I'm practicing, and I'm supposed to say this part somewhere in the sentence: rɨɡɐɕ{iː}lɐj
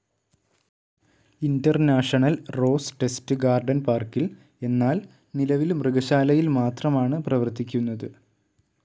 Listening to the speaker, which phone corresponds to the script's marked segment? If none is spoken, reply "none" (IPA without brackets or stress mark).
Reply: aː